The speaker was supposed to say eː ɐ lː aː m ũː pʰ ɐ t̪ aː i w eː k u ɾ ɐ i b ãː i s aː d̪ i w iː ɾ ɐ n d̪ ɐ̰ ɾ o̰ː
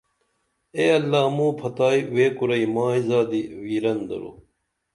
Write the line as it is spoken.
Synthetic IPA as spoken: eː ɐ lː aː m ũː pʰ ɐ t̪ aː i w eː k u ɾ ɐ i m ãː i z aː d̪ i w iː ɾ ɐ n d̪ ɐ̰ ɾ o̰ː